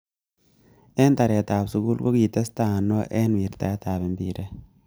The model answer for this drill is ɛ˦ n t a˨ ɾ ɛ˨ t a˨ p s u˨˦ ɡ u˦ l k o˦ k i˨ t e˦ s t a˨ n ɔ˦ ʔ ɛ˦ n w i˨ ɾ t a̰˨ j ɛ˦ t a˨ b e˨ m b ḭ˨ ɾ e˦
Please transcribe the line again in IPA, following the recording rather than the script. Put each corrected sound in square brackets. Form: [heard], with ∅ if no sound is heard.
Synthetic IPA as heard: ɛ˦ n t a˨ ɾ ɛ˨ t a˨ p s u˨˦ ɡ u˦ l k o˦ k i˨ t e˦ s t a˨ n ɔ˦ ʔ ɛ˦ n w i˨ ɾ t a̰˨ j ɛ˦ t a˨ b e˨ m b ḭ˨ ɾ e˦